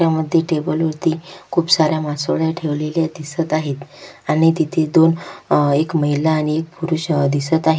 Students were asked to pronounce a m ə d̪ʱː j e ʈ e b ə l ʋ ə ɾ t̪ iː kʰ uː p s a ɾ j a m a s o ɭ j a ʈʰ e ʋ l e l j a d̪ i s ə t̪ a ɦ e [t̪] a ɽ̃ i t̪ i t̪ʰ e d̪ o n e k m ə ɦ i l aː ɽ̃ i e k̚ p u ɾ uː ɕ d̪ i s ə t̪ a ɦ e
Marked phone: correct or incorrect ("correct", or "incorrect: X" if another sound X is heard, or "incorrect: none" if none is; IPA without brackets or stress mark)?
correct